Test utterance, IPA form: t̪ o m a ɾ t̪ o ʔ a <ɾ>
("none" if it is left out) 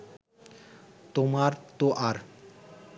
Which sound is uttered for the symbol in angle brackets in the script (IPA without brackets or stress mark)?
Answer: ɾ